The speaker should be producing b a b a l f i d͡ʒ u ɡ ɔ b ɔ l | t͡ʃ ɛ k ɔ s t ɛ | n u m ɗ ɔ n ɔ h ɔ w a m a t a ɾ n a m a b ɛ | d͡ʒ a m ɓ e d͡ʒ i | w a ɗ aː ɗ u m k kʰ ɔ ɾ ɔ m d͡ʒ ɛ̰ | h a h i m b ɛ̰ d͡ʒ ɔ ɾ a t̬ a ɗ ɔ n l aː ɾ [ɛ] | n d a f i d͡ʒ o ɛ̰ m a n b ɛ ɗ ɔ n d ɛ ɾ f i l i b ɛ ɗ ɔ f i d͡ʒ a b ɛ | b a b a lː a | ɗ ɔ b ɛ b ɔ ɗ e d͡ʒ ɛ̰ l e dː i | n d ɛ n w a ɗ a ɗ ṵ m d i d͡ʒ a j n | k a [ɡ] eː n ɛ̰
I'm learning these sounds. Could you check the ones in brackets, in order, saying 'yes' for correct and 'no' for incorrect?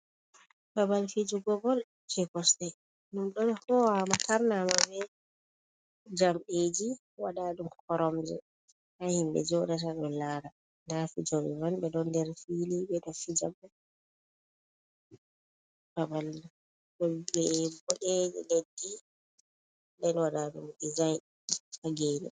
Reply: no, yes

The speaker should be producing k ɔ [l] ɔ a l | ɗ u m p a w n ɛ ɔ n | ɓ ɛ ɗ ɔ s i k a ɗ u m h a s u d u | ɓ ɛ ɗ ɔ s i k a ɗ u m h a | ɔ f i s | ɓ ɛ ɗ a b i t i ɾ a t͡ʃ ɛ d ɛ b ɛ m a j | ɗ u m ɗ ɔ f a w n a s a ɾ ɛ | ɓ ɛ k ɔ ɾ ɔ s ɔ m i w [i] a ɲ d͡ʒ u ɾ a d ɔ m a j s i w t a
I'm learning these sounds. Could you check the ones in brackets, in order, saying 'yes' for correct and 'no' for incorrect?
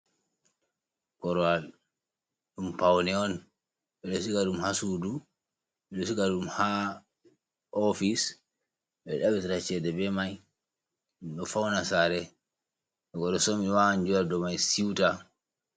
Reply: no, no

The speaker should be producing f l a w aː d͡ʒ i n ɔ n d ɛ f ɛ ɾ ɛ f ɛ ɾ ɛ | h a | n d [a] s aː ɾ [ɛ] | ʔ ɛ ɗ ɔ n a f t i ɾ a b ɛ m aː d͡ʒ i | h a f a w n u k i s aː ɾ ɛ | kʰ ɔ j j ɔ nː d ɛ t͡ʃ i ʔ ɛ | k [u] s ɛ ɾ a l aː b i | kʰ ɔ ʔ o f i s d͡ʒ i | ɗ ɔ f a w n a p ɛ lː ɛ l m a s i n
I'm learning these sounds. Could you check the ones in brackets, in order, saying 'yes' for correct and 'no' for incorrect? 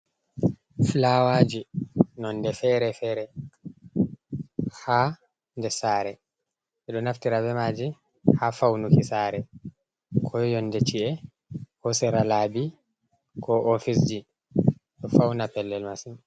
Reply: no, yes, no

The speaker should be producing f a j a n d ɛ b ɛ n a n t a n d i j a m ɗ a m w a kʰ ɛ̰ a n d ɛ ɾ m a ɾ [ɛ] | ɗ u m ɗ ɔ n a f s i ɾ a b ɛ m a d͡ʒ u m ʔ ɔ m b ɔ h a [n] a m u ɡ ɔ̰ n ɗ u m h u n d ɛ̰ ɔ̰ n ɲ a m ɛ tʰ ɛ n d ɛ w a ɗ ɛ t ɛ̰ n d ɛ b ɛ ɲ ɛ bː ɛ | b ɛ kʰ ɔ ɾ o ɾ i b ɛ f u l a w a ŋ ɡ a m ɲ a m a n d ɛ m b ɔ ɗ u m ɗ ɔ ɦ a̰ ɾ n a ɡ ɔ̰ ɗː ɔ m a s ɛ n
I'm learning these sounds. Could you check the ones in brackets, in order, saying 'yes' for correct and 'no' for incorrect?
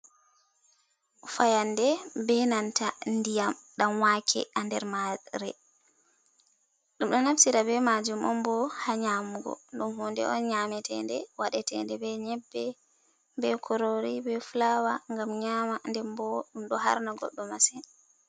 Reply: yes, no

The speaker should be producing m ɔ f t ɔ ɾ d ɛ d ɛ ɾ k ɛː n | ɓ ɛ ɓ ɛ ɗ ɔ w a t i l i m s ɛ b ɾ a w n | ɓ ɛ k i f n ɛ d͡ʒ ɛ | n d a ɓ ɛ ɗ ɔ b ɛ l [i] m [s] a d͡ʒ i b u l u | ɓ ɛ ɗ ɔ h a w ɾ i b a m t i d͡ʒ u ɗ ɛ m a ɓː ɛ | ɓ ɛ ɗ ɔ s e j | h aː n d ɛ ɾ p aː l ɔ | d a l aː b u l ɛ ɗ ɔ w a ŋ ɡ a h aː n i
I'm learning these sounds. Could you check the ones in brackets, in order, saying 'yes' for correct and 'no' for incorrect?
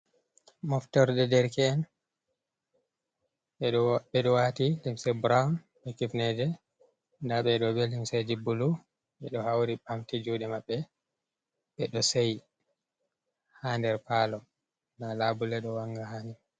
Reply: yes, yes

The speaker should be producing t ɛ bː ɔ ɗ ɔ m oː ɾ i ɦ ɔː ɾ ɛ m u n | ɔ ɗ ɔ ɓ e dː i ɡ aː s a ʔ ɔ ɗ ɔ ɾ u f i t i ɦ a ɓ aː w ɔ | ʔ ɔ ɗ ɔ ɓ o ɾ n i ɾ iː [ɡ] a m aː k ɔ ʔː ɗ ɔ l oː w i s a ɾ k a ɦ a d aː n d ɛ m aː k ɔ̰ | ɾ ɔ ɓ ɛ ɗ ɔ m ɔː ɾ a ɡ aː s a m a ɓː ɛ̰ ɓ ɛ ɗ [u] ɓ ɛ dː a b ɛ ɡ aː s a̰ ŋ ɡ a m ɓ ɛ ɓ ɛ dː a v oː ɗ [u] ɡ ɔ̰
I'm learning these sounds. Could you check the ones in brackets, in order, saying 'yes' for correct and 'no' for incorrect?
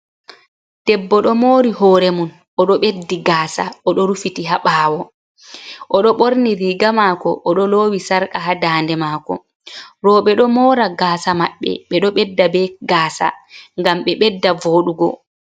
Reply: yes, no, yes

